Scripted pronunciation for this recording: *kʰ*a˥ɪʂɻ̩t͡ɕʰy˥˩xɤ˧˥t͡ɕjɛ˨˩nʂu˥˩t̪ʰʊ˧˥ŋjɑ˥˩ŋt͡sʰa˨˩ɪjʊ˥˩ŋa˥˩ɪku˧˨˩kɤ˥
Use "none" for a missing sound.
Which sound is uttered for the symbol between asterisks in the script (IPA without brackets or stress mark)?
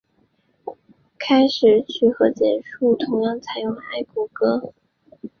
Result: kʰ